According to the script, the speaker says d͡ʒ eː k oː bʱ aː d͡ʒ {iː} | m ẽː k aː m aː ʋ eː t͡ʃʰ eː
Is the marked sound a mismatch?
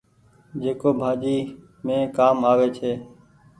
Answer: no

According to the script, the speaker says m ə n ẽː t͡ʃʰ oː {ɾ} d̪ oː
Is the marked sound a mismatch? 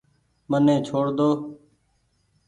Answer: yes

